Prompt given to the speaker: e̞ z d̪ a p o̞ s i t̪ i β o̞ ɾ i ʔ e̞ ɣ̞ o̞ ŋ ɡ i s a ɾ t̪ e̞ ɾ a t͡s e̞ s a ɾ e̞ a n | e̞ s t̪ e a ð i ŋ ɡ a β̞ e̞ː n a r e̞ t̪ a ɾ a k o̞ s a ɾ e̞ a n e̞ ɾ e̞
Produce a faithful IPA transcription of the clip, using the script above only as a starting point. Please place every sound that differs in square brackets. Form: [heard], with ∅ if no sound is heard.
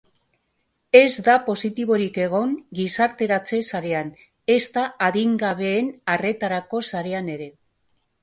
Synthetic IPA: e̞ z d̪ a p o̞ s i t̪ i β o̞ ɾ i [k] e̞ ɣ̞ o̞ ŋ ɡ i s a ɾ t̪ e̞ ɾ a t͡s e̞ s a ɾ e̞ a n | e̞ s t̪ [a] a ð i ŋ ɡ a β̞ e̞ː n a r e̞ t̪ a ɾ a k o̞ s a ɾ e̞ a n e̞ ɾ e̞